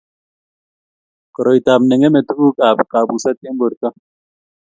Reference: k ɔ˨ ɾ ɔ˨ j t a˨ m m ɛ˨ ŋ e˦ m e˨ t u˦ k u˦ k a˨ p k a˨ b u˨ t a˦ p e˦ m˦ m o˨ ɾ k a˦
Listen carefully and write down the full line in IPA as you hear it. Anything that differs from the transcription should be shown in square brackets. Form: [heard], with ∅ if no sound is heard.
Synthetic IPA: k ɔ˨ ɾ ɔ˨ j t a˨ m [n] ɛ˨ ŋ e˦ m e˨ t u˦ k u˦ k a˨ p k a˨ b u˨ [s] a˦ [t] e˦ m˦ [b] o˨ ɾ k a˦